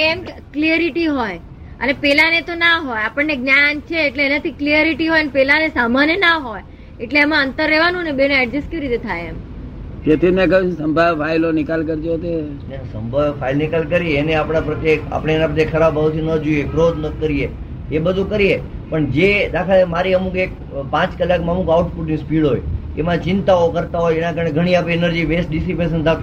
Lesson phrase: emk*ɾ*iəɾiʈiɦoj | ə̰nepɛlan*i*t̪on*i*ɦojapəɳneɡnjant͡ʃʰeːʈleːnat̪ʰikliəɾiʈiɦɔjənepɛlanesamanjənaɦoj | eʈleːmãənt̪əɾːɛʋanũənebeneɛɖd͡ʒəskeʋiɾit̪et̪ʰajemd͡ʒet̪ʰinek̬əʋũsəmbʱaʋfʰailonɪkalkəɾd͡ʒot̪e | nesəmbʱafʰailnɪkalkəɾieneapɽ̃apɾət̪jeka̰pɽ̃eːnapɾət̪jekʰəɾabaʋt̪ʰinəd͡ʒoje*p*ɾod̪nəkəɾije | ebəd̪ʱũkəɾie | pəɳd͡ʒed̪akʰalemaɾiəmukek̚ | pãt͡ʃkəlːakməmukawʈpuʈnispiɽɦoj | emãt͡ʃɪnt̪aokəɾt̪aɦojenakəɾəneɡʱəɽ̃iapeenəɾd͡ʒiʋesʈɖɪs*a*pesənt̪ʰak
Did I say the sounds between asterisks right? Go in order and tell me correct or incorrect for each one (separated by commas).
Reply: incorrect, incorrect, incorrect, incorrect, incorrect